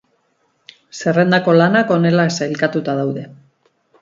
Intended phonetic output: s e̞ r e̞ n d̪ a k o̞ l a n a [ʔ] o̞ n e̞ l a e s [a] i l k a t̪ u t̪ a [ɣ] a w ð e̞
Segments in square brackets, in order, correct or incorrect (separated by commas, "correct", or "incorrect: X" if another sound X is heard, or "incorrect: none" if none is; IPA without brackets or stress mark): incorrect: k, correct, incorrect: ð